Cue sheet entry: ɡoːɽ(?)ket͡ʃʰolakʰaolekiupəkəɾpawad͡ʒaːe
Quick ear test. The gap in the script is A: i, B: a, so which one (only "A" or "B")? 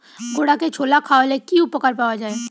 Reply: B